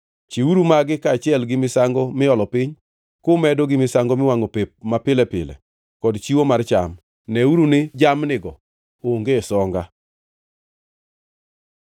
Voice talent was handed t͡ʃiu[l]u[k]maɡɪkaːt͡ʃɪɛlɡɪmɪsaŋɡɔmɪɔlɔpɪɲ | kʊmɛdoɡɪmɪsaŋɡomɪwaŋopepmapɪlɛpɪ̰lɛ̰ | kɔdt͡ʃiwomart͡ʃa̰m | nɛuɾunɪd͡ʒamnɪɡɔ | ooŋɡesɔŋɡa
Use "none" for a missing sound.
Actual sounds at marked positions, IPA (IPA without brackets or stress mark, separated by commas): ɾ, none